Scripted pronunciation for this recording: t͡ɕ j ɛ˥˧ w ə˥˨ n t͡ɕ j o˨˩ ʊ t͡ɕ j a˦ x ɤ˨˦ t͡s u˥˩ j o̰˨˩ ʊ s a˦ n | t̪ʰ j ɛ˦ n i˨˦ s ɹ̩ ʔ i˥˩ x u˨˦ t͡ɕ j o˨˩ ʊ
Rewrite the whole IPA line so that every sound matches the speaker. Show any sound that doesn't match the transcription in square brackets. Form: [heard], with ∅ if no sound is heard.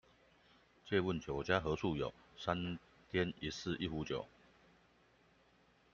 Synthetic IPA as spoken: t͡ɕ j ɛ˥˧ w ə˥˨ n t͡ɕ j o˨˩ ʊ t͡ɕ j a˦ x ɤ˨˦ [t͡sʰ] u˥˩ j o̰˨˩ ʊ s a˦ n | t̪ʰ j ɛ˦ n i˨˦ s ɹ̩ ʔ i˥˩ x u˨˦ t͡ɕ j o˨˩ ʊ